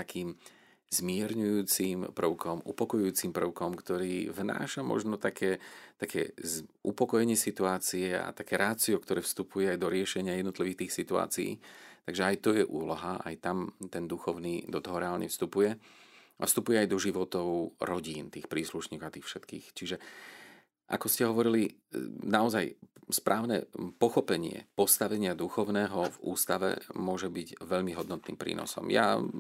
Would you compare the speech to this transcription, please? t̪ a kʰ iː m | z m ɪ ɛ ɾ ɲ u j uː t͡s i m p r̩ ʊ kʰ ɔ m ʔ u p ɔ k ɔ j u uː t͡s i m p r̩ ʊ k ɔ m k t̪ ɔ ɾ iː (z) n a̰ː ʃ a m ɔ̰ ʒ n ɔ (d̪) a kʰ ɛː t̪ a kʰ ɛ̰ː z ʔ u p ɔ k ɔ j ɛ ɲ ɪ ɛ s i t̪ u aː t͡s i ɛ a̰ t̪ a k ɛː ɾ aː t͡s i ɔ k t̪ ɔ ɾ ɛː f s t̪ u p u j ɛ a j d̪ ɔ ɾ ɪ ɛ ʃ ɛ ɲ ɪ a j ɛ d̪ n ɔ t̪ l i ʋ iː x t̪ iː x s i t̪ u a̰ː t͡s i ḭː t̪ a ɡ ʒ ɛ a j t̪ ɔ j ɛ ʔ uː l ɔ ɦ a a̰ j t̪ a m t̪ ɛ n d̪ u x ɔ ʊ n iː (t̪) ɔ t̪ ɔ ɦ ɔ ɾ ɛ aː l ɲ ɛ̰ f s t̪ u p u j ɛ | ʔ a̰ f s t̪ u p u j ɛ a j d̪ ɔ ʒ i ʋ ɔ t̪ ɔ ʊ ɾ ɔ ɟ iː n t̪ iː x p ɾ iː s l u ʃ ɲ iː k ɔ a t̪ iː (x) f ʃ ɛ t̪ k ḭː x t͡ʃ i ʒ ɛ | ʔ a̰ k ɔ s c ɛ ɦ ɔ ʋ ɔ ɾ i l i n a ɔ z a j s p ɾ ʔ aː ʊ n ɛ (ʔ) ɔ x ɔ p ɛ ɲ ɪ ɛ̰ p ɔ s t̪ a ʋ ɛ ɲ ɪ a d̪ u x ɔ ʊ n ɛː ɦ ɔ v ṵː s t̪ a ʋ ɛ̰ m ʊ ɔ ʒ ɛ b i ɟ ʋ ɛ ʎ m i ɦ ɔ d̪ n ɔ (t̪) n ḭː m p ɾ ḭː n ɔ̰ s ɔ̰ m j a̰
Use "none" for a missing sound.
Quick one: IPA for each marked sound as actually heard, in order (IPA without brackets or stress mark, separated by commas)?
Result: v, t̪, d̪, x, p, t̪